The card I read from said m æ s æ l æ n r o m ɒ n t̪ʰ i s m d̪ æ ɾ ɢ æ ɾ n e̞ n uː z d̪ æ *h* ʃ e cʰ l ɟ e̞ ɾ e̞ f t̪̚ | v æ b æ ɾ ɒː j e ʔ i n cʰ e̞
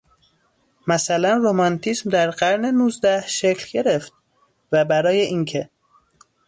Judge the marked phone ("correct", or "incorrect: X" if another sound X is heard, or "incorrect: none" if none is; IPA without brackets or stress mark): correct